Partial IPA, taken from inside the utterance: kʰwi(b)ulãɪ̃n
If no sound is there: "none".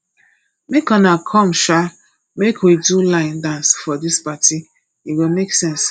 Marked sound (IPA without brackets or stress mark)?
d